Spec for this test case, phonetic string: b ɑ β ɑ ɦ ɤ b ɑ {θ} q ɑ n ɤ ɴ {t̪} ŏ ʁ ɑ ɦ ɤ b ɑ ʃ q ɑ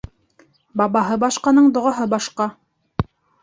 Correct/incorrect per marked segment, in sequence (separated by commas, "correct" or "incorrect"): incorrect, incorrect